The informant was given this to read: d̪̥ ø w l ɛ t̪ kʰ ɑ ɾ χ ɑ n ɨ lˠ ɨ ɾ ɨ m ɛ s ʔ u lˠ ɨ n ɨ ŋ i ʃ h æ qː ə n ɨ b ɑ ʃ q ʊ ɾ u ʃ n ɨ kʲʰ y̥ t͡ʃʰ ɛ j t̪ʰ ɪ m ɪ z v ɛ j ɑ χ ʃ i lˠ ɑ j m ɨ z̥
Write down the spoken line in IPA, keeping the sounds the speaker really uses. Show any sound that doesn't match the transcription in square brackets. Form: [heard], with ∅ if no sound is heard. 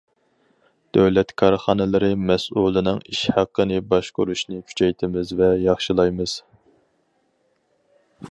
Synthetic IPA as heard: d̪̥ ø w l ɛ t̪ kʰ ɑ ɾ χ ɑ n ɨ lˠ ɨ ɾ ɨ m ɛ s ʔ u lˠ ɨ n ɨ ŋ i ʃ h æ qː ə n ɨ b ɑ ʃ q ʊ ɾ u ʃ n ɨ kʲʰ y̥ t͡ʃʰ ɛ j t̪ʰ ɪ m ɪ z v ɛ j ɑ χ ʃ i lˠ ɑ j m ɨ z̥